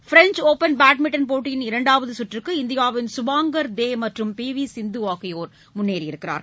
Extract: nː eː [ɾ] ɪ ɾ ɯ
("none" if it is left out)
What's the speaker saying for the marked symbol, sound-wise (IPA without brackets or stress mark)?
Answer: ɾ